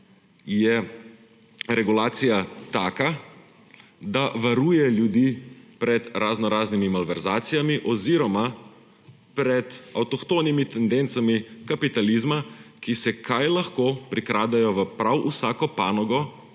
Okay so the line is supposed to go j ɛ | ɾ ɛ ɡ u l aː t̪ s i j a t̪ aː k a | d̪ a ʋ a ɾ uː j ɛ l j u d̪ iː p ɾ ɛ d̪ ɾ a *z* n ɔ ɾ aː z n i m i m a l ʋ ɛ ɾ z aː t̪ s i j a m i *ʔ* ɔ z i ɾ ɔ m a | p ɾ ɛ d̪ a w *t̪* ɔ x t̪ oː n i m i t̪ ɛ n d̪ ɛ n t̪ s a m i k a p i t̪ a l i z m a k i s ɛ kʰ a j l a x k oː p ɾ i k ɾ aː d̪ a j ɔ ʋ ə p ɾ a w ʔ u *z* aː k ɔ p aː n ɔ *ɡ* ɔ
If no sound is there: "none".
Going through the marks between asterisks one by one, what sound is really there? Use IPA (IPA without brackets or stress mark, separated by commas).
z, ʔ, t̪, s, ɡ